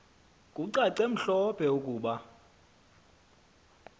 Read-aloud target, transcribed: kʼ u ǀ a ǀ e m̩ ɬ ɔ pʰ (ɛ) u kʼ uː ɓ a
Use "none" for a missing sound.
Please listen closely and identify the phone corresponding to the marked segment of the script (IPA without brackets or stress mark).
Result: ɛ